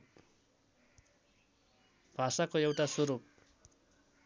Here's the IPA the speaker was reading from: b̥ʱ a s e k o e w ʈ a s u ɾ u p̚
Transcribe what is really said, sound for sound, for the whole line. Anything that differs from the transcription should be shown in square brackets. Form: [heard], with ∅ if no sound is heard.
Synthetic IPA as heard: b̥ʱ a s [a] k o e w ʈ a s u ɾ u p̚